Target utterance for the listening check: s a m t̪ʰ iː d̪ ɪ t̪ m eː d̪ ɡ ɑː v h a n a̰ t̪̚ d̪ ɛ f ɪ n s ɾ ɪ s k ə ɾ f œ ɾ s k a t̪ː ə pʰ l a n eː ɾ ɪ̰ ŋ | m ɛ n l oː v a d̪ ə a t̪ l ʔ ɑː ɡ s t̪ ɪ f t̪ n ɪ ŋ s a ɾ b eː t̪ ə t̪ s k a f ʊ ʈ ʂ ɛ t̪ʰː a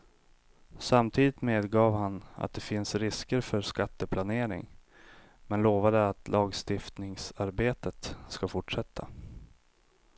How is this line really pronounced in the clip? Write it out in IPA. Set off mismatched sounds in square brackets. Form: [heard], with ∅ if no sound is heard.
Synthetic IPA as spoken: s a m t̪ʰ iː d̪ ɪ t̪ m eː d̪ ɡ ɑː v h a n a̰ t̪̚ d̪ ɛ f ɪ n s ɾ ɪ s k ə ɾ f œ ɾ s k a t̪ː ə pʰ l a n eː ɾ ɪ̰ ŋ | m ɛ n l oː v a d̪ ə a t̪ l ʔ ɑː ɡ s t̪ ɪ f t̪ n ɪ ŋ s a ɾ b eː t̪ ə t̪ s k a f ʊ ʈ ʂ ɛ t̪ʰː a